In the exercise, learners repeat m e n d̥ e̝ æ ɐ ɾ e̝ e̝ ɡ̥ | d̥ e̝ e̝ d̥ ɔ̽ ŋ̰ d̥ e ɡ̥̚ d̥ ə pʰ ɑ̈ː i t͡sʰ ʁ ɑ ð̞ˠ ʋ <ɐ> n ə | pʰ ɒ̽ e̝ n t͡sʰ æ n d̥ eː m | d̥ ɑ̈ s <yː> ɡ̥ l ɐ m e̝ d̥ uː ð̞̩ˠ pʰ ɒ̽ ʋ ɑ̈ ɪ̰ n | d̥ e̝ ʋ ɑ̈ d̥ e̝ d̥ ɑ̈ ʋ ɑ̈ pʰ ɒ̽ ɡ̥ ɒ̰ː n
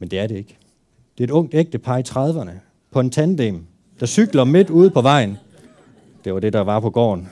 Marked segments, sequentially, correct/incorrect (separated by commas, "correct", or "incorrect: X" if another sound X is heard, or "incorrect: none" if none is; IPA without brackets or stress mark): correct, incorrect: y